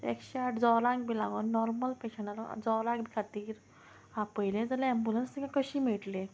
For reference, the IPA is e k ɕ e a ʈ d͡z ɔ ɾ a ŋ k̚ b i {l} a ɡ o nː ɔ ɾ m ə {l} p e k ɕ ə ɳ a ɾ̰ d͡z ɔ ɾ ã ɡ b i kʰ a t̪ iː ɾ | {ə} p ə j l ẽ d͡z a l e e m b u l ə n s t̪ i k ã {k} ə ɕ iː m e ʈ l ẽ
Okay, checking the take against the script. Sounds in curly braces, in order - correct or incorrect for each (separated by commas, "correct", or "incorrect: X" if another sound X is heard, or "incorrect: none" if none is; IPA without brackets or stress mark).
correct, correct, incorrect: a, correct